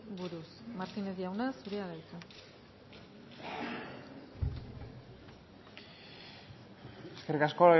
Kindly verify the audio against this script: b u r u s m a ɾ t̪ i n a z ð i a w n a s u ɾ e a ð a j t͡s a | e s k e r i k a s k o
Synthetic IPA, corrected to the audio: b u ɾ u s m a ɾ t̪ i n e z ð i a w n a s u ɾ e a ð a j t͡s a | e s k e r i k a s k o